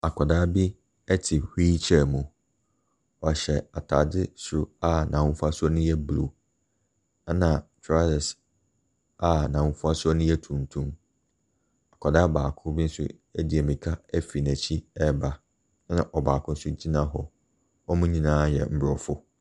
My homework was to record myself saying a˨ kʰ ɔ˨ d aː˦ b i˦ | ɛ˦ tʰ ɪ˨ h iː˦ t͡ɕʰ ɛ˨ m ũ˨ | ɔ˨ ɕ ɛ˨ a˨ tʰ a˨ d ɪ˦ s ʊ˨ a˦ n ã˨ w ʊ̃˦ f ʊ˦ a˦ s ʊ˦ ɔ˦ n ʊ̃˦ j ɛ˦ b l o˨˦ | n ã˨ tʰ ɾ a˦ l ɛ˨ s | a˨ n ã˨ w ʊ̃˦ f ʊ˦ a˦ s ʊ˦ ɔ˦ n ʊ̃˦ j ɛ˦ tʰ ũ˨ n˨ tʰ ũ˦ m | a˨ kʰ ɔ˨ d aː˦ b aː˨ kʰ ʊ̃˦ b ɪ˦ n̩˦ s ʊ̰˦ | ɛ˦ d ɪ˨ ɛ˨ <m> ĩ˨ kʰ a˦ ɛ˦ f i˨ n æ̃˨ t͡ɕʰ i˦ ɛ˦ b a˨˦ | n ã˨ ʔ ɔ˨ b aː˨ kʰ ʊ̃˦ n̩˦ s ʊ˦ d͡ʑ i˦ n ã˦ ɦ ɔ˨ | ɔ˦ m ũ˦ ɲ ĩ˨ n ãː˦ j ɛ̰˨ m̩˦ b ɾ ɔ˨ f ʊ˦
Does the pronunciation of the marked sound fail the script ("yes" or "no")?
no